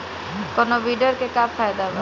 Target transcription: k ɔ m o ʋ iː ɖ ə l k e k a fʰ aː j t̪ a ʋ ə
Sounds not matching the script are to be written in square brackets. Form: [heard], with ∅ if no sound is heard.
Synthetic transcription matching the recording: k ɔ [n] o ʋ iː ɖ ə [ɾ] k e k a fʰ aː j [d̪] a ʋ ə